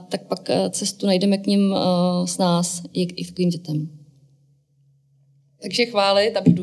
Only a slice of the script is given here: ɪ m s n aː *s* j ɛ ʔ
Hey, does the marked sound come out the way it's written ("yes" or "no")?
yes